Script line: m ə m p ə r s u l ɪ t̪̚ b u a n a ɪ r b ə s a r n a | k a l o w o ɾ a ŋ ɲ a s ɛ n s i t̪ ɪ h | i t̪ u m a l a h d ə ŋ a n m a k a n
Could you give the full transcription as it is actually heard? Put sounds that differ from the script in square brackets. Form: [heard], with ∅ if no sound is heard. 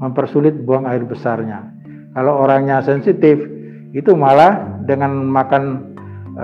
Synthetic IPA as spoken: m ə m p ə r s u l ɪ t̪̚ b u a [ŋ] a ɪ r b ə s a r [ɲ] a | k a l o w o ɾ a ŋ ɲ a s ɛ n s i t̪ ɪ [f] | i t̪ u m a l a h d ə ŋ a n m a k a n